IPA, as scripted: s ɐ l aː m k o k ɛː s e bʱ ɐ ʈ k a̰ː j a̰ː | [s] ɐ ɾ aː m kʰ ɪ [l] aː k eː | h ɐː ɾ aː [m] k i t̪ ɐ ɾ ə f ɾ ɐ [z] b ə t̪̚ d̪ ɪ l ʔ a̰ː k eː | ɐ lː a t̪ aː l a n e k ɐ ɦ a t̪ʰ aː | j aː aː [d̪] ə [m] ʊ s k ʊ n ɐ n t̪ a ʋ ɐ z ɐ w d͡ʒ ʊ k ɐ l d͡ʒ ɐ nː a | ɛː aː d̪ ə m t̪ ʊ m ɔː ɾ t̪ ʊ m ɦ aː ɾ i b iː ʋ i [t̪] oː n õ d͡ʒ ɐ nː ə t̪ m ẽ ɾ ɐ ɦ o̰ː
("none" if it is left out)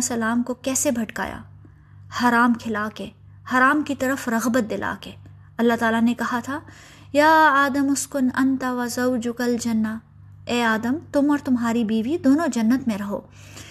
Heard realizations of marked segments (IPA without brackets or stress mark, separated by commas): h, l, m, ɣ, d̪, m, d̪